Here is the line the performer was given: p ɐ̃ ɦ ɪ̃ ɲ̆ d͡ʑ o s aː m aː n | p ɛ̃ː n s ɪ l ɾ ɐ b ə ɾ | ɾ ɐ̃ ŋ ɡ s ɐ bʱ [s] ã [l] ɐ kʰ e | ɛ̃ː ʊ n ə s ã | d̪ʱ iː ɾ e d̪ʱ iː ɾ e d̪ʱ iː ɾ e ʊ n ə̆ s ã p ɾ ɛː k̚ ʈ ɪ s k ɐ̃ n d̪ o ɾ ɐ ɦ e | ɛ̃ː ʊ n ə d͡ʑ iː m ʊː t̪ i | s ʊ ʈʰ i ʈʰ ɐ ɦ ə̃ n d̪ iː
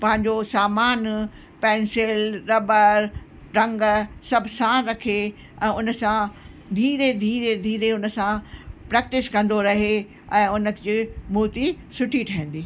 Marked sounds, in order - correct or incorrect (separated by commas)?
correct, incorrect